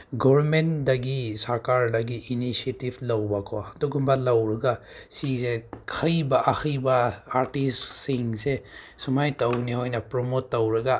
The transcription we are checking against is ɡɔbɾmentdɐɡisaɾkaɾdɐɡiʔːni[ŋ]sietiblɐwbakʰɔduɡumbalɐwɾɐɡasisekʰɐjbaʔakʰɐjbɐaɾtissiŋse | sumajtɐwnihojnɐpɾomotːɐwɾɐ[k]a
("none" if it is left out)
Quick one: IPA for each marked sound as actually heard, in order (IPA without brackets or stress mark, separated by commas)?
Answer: none, ɡ